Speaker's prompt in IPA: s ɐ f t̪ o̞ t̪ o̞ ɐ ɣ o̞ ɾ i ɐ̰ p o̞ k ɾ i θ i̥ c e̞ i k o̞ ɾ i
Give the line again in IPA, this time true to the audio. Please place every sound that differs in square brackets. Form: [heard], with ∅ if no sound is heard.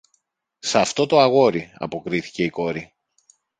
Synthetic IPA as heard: s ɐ f t̪ o̞ t̪ o̞ ɐ ɣ o̞ ɾ i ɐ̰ p o̞ k ɾ i θ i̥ c e̞ i k o̞ ɾ i